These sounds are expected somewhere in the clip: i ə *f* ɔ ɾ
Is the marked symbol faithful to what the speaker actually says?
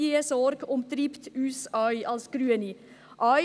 no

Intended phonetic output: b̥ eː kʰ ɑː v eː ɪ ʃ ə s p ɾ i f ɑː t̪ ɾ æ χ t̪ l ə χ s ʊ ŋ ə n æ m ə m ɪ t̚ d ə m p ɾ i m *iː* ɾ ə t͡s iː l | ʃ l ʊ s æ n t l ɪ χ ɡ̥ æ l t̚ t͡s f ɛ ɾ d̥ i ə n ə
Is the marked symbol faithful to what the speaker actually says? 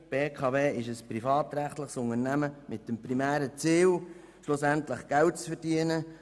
no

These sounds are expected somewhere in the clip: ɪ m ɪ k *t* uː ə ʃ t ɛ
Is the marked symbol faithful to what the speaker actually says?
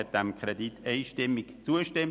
no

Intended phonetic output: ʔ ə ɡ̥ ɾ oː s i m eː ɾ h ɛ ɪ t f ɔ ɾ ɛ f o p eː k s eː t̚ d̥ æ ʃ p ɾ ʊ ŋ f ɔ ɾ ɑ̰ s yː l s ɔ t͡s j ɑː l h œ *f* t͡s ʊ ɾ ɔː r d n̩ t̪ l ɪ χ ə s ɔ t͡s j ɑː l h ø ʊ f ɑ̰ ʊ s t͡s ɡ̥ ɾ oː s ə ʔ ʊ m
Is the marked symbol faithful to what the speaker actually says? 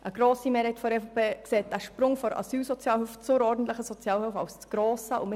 yes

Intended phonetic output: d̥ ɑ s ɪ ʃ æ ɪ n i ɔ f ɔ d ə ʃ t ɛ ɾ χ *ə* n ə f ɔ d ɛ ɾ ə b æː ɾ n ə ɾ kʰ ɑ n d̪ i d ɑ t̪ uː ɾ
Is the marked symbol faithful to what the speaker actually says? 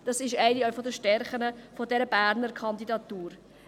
yes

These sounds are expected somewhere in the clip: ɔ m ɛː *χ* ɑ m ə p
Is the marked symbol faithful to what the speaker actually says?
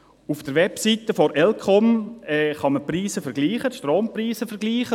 yes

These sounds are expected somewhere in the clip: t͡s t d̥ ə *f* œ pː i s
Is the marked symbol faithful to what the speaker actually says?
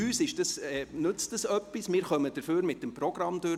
no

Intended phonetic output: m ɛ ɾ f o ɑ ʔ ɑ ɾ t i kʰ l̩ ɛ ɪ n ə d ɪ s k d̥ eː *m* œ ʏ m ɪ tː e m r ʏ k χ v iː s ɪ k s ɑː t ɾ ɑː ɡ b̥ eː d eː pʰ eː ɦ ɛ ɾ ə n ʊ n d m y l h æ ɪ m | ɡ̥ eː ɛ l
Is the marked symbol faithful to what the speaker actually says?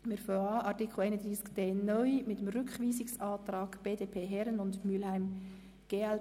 no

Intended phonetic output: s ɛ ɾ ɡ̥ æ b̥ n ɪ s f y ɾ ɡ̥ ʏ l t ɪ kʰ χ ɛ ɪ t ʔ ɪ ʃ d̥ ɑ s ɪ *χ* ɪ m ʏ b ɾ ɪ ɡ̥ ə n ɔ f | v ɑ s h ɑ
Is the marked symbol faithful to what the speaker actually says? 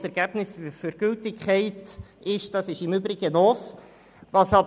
no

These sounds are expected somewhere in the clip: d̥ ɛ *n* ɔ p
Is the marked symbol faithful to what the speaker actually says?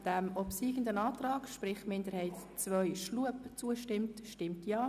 no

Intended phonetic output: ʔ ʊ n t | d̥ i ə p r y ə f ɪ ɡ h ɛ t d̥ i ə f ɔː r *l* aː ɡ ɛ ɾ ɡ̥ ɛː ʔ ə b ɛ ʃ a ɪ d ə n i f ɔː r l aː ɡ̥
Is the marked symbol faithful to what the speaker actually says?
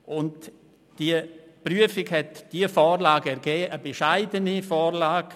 yes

